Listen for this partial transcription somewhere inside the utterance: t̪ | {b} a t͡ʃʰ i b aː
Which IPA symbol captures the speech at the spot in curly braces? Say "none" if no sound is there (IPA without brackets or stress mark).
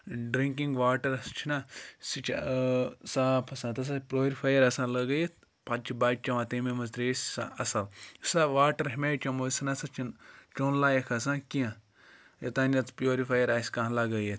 p